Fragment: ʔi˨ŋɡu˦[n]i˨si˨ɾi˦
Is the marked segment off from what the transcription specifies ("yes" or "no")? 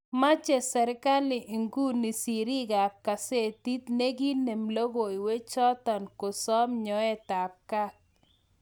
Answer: no